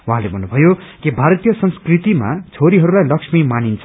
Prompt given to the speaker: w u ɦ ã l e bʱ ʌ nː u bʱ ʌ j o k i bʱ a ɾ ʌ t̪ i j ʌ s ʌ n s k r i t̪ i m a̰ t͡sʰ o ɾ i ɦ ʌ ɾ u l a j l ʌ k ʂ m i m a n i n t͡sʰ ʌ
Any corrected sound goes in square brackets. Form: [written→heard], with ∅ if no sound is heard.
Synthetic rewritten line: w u ɦ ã l e bʱ ʌ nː u bʱ ʌ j o k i bʱ a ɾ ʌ t̪ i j ʌ s ʌ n s k r i t̪ i m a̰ t͡sʰ o ɾ i ɦ ʌ ɾ u l a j l ʌ k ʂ m i m a n i n t͡sʰ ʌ